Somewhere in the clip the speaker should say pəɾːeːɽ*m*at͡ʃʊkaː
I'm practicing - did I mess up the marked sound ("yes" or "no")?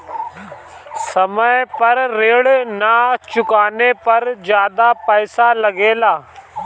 yes